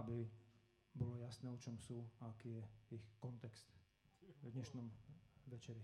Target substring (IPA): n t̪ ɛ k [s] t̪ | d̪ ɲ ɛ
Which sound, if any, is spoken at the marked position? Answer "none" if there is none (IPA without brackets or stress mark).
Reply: s